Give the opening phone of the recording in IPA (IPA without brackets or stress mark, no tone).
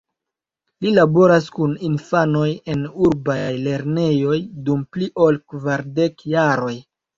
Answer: l